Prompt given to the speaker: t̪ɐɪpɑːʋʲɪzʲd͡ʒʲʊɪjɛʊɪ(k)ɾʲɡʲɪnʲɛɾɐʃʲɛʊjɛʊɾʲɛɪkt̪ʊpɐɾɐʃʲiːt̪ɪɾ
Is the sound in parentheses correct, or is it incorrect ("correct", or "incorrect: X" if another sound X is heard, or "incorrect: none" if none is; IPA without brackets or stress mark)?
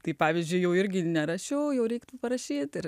incorrect: none